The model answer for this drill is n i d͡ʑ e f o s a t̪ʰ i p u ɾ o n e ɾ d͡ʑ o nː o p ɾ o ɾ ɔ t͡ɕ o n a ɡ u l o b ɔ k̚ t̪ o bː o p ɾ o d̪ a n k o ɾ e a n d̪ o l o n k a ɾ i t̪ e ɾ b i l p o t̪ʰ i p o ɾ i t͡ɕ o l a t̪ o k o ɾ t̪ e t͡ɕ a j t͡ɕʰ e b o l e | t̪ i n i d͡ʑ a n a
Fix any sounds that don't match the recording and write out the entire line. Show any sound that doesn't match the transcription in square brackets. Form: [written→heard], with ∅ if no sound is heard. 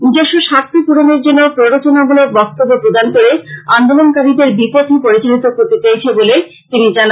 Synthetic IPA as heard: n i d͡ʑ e [f→ʃ] o [s→ʃ] a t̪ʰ i p u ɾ o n e ɾ d͡ʑ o nː o p ɾ o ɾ [ɔ→o] t͡ɕ o n a ɡ u l o b ɔ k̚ t̪ o bː o p ɾ o d̪ a n k o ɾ e a n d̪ o l o n k a ɾ i [t̪→d̪] e ɾ b i [l→∅] p o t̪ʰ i p o ɾ i t͡ɕ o l [a→i] t̪ o k o ɾ t̪ e t͡ɕ a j t͡ɕʰ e b o l e | t̪ i n i d͡ʑ a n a

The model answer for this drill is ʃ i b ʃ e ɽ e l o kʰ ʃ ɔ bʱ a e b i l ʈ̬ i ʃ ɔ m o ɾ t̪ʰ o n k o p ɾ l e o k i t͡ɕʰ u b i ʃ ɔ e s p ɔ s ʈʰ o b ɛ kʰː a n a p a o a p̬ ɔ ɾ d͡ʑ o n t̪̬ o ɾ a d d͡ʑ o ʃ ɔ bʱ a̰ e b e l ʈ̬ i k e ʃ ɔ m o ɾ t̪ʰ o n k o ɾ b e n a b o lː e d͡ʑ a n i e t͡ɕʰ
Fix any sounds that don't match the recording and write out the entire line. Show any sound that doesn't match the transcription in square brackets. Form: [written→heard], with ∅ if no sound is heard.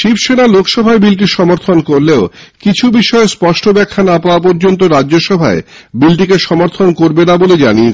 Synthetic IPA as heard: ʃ i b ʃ e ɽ [e→a] l o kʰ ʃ ɔ bʱ a e b i l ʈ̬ i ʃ ɔ m o ɾ t̪ʰ o n k o [p→∅] ɾ l e o k i t͡ɕʰ u b i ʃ ɔ e s p ɔ [s→ʃ] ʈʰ o b ɛ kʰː a n a p a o a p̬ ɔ ɾ d͡ʑ o n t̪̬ o ɾ a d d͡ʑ o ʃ ɔ bʱ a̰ e b [e→i] l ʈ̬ i k e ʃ ɔ m o ɾ t̪ʰ o n k o ɾ b e n a b o [lː→l] e d͡ʑ a n i e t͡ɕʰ

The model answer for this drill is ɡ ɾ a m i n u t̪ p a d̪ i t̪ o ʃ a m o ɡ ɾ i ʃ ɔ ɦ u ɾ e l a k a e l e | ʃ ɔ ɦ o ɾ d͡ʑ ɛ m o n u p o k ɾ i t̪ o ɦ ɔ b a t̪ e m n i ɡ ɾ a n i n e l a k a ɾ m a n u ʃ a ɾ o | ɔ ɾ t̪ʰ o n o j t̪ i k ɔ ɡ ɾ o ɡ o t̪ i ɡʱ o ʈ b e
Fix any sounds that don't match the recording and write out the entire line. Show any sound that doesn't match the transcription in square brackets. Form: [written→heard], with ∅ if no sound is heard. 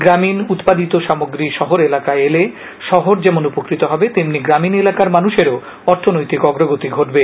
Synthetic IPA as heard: ɡ ɾ a m i n u t̪ p a d̪ i t̪ o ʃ a m o ɡ ɾ i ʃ ɔ ɦ [u→o] ɾ e l a k a e l e | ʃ ɔ ɦ o ɾ d͡ʑ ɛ m o n u p o k ɾ i t̪ o ɦ ɔ b [a→e] t̪ e m n i ɡ ɾ a [n→m] i n e l a k a ɾ m a n u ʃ [a→e] ɾ o | ɔ ɾ t̪ʰ o n o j t̪ i k ɔ ɡ ɾ o ɡ o t̪ i ɡʱ o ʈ b e

